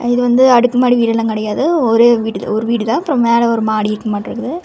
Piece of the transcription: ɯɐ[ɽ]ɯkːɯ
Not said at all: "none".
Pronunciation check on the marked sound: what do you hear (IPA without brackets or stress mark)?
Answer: ɽ